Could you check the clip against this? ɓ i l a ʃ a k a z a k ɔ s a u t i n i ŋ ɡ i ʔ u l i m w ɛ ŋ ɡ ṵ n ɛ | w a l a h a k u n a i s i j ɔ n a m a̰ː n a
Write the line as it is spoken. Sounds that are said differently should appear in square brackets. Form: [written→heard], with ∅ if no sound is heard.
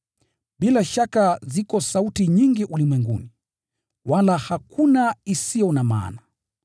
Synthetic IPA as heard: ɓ i l a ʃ a k a z [a→i] k ɔ s a u t i [n→ɲ] i ŋ ɡ i ʔ u l i m w ɛ ŋ ɡ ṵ n [ɛ→i] | w a l a h a k u n a i s i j ɔ n a m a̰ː n a